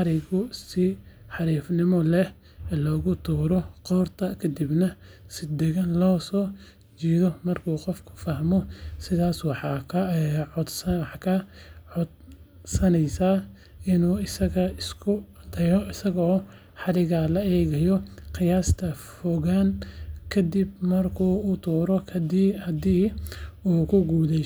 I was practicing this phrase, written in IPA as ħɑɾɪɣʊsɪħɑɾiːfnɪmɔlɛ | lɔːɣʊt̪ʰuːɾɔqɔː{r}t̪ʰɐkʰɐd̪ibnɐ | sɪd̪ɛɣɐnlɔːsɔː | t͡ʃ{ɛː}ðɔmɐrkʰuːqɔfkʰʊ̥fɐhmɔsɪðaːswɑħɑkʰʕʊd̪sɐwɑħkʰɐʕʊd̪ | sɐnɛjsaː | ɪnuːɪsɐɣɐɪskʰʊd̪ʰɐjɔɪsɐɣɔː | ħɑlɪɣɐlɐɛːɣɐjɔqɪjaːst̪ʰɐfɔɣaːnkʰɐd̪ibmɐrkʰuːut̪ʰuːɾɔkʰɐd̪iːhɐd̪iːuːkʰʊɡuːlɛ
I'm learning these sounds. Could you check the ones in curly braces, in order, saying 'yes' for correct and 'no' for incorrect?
yes, no

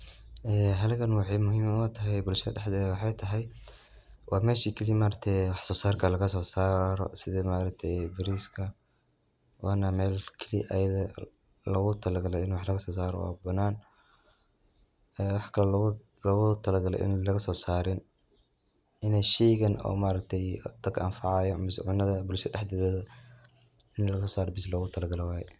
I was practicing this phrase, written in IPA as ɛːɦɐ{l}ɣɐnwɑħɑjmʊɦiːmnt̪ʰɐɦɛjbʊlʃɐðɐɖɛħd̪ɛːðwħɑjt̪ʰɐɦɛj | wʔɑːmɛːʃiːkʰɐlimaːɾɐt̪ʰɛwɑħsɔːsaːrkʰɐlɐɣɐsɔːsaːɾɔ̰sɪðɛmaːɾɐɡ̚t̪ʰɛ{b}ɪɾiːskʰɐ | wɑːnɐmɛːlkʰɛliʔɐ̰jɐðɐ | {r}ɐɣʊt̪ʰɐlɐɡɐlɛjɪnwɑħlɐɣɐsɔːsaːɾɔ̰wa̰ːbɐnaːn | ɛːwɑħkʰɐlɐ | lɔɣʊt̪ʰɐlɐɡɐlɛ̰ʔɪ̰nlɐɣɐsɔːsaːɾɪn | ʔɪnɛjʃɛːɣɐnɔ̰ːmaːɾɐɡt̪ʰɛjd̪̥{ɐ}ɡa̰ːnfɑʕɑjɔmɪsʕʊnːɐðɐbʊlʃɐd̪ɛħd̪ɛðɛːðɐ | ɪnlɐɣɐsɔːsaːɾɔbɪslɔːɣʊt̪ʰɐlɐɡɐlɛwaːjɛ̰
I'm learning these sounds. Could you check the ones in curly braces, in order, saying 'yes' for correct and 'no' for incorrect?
yes, yes, no, yes

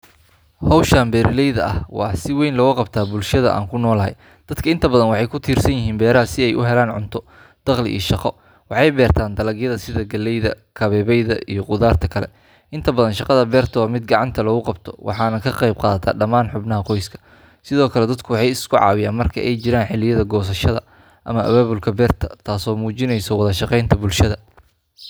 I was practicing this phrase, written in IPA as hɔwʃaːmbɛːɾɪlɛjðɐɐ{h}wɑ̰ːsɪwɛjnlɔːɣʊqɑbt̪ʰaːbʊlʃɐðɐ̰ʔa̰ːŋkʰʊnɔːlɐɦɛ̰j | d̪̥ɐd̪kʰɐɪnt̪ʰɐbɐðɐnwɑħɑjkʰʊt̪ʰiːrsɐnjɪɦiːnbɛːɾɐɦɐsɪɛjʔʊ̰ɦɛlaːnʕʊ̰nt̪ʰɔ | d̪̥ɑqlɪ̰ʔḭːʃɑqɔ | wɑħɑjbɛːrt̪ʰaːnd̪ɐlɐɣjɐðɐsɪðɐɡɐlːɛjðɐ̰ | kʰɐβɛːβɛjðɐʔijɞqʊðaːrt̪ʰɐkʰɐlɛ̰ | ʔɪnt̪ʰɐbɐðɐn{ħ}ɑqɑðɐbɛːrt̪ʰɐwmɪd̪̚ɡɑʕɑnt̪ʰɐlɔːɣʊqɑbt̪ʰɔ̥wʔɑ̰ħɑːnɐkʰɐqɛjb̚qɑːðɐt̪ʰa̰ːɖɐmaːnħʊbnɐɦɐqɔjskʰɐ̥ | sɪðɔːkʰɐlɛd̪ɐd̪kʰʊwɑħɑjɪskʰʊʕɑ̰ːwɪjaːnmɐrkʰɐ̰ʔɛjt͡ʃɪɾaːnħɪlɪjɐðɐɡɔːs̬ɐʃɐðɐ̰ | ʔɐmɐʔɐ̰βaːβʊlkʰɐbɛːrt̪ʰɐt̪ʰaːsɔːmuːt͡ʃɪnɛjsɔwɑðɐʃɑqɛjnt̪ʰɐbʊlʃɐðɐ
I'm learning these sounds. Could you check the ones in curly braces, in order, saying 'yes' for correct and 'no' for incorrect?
yes, no

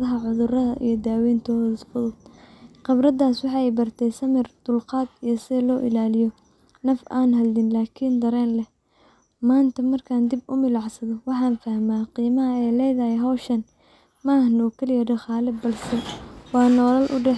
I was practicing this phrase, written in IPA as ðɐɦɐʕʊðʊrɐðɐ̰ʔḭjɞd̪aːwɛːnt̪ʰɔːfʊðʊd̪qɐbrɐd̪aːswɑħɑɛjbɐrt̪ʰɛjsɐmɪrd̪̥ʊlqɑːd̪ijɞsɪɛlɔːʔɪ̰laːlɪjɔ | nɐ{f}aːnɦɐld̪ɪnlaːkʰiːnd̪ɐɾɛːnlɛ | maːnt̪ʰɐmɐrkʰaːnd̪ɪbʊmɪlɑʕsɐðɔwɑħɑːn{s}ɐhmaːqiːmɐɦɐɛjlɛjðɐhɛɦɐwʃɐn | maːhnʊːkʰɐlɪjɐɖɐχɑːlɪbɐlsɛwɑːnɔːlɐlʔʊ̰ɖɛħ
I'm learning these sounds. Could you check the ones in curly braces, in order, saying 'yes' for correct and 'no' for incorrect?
yes, no

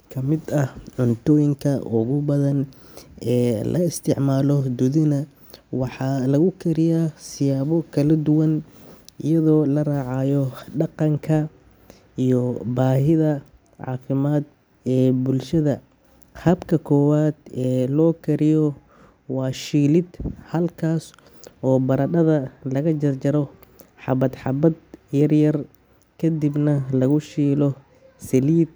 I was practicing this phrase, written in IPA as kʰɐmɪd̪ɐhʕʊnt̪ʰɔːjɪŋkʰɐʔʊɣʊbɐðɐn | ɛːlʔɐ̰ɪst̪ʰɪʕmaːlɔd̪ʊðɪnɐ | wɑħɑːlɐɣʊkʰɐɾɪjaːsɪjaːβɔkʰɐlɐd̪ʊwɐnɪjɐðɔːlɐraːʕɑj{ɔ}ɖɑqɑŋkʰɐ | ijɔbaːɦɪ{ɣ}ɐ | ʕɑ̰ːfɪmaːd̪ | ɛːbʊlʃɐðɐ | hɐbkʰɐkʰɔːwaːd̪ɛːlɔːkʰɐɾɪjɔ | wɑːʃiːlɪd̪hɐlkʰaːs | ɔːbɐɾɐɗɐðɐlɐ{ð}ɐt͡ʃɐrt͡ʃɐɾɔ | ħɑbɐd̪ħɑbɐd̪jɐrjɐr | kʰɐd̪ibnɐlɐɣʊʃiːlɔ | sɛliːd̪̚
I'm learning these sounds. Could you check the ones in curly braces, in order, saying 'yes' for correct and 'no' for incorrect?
yes, no, no

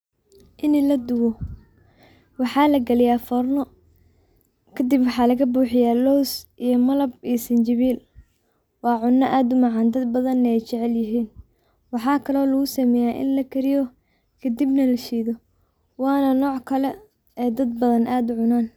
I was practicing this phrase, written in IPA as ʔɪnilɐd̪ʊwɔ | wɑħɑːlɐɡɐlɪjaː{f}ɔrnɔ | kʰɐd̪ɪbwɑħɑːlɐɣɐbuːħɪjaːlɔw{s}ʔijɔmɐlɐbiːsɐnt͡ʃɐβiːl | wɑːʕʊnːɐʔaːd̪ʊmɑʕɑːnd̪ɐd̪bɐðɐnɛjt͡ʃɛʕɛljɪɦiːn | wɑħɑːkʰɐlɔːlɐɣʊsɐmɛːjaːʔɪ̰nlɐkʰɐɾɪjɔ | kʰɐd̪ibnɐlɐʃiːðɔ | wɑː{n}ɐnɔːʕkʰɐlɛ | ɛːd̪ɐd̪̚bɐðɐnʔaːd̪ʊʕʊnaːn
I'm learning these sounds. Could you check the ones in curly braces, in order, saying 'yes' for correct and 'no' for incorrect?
yes, yes, yes

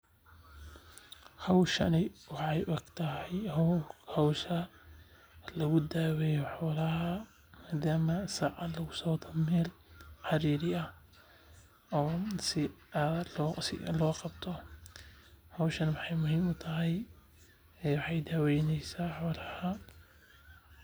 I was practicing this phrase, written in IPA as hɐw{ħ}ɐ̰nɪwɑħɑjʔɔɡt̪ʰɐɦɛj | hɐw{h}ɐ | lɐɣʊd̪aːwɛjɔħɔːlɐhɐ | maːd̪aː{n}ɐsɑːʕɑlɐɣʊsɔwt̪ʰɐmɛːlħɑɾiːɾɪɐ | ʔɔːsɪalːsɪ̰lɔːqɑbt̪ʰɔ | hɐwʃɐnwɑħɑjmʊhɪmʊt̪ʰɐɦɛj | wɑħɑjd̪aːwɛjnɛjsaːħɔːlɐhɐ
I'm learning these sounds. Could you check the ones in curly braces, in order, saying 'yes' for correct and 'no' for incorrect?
no, no, no

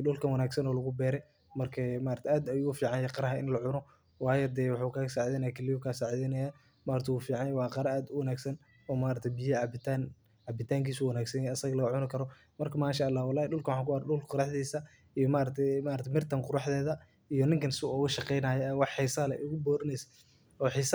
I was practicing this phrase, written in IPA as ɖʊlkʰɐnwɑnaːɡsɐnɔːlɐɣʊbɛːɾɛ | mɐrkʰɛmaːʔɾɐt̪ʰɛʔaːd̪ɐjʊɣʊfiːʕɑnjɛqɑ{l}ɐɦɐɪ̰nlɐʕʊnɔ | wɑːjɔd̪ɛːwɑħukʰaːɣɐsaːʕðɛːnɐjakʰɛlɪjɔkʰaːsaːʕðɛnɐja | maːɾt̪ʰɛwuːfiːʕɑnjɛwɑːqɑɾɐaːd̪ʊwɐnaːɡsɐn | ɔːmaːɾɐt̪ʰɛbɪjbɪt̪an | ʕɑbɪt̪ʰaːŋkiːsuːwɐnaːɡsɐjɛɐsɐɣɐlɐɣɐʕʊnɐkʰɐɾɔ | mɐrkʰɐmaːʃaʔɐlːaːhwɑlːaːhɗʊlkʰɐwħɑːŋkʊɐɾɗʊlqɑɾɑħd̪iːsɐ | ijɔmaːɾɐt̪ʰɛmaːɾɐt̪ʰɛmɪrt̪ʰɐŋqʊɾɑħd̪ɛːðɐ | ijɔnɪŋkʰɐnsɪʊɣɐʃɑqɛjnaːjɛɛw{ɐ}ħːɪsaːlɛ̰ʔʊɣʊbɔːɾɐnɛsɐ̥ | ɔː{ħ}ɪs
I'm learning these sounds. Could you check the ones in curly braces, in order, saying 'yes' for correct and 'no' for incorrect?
no, no, yes

